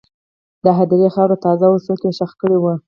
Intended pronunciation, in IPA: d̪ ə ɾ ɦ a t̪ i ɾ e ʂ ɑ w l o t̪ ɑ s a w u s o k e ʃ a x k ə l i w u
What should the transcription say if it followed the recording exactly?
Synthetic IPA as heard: d̪ ə ɦ a d̪ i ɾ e x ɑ w ɾ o t̪ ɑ z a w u s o k e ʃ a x k ə ɽ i w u